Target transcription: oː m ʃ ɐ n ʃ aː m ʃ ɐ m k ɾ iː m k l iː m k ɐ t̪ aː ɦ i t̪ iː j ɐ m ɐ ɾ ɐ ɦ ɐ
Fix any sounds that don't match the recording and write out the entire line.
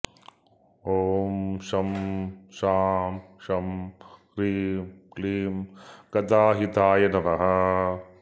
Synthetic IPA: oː m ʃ ɐ m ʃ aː m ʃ ɐ m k ɾ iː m k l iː m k ɐ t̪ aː ɦ i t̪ aː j ɐ n ɐ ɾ ɐ ɦ ɐ